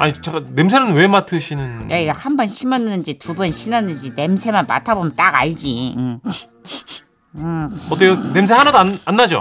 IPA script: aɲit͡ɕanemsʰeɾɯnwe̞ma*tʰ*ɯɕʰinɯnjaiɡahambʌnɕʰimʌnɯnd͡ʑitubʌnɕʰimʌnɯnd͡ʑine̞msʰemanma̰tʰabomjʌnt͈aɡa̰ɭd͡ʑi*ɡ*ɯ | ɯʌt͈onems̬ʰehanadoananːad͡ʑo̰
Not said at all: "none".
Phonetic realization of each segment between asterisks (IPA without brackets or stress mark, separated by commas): tʰ, none